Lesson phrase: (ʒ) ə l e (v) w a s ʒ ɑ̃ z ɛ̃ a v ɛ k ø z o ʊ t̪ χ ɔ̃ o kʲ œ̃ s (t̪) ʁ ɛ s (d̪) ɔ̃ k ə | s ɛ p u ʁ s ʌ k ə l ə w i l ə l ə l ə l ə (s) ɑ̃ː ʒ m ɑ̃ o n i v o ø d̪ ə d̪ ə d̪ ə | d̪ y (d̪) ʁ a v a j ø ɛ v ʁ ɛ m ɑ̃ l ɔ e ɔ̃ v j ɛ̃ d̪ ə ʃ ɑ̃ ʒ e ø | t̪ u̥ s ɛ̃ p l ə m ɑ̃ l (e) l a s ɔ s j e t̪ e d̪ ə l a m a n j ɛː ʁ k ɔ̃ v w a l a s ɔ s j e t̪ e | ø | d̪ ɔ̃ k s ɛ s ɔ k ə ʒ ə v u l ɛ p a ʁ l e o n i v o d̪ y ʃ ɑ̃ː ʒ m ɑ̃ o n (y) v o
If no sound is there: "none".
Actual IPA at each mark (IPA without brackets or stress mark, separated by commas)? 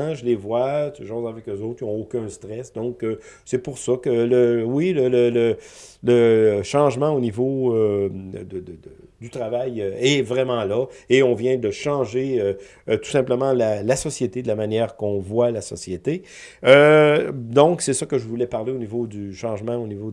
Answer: ʒ, v, t̪, d̪, ʃ, t̪, a, i